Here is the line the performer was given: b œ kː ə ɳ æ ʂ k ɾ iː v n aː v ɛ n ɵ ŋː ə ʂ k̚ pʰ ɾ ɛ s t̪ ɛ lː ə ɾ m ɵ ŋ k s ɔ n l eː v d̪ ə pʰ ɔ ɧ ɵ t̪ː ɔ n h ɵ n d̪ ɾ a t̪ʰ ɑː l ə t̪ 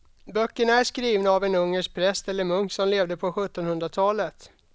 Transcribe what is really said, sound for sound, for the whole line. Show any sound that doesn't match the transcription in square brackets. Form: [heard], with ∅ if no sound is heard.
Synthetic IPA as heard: b œ kː ə ɳ æ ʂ k ɾ iː v n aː v ɛ n ɵ ŋː ə ʂ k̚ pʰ ɾ ɛ s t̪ ɛ lː ə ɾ m ɵ ŋ k s ɔ [m] l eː v d̪ ə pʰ ɔ ɧ ɵ t̪ː ɔ n h ɵ n d̪ ɾ a t̪ʰ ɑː l ə t̪